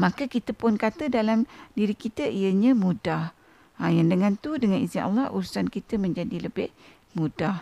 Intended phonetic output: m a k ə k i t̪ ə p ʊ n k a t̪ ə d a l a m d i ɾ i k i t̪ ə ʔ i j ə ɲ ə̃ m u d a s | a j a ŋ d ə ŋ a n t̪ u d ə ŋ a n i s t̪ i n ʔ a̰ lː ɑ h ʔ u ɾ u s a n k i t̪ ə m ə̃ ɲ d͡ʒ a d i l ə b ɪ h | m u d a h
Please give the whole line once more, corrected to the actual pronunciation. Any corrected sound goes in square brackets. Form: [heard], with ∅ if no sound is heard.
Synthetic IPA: m a k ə k i t̪ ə p ʊ n k a t̪ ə d a l a m d i ɾ i k i t̪ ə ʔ i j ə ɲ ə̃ m u d a [h] | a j a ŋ d ə ŋ a n t̪ u d ə ŋ a n i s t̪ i n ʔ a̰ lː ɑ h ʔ u ɾ u s a n k i t̪ ə m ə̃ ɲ d͡ʒ a d i l ə b ɪ h | m u d a h